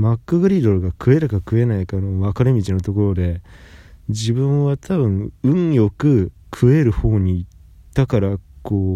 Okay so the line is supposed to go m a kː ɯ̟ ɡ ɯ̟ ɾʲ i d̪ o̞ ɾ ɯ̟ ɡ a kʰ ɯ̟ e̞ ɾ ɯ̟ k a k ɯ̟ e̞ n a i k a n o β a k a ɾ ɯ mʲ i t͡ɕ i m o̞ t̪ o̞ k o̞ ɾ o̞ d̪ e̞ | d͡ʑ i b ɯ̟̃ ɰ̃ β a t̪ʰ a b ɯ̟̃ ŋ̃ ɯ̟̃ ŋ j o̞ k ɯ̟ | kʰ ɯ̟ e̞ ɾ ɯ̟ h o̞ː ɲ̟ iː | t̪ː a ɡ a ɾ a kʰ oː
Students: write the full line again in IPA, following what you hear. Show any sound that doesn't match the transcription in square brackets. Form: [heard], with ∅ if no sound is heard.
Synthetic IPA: m a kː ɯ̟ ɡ ɯ̟ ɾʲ i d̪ o̞ ɾ ɯ̟ ɡ a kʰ ɯ̟ e̞ ɾ ɯ̟ k a k ɯ̟ e̞ n a i k a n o β a k a ɾ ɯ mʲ i t͡ɕ i [n] o̞ t̪ o̞ k o̞ ɾ o̞ d̪ e̞ | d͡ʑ i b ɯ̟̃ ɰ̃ β a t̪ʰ a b ɯ̟̃ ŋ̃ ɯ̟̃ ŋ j o̞ k ɯ̟ | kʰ ɯ̟ e̞ ɾ ɯ̟ h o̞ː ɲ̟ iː | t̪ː a [k] a ɾ a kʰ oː